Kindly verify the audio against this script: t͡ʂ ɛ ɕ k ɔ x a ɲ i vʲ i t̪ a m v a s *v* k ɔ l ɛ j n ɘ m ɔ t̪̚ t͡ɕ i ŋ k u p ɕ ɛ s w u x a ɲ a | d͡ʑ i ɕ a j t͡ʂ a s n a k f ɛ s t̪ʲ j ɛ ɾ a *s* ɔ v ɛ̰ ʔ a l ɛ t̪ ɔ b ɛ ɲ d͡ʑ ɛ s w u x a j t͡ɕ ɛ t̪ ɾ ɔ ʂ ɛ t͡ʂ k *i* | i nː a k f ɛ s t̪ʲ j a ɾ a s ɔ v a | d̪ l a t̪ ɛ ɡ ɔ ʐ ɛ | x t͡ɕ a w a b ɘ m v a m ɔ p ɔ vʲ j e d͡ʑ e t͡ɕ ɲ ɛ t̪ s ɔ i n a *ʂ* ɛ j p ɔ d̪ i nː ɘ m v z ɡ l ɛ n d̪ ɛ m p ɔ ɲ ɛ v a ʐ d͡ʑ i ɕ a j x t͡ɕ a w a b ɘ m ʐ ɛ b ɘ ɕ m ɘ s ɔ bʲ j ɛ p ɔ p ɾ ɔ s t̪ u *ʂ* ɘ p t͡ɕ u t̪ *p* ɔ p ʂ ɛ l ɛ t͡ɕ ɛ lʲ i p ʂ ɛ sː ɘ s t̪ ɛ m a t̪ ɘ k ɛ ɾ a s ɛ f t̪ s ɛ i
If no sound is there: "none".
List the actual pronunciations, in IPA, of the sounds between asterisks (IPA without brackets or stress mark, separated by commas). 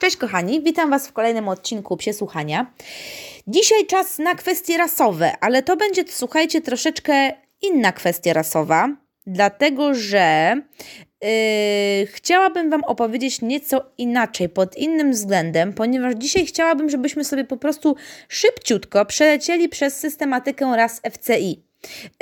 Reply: f, s, ɛ, t͡ʂ, ʂ, k